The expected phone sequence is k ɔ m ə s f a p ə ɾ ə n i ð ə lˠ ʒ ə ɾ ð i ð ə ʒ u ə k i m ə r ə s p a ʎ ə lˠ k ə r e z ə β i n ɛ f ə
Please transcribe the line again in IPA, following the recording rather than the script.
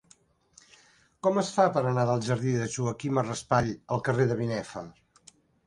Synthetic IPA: k ɔ m ə s f a p ə ɾ ə n a ð ə lˠ ʒ ə ɾ ð i ð ə ʒ u ə k i m ə r ə s p a ʎ ə lˠ k ə r e ð ə β i n ɛ f ə